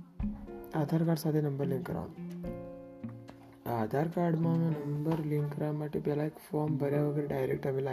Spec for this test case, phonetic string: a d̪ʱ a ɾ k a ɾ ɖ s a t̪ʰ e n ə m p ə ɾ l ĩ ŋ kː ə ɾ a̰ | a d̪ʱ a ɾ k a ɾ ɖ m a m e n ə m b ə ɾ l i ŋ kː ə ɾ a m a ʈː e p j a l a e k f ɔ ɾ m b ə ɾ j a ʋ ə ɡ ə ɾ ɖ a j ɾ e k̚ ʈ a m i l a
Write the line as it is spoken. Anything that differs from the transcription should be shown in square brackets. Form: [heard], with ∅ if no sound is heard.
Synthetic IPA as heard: a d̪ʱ a ɾ k a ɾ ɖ s a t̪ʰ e n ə m [b] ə ɾ l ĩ ŋ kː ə ɾ a̰ | a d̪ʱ a ɾ k a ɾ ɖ m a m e n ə m b ə ɾ l i ŋ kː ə ɾ a m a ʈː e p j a l a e k f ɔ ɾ m b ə ɾ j a ʋ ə ɡ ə ɾ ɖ a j ɾ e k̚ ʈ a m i l a